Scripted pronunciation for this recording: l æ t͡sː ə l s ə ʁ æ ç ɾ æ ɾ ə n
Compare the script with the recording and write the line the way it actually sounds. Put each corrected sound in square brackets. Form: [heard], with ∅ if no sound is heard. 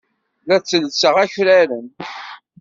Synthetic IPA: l æ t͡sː ə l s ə ʁ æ ç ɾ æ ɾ ə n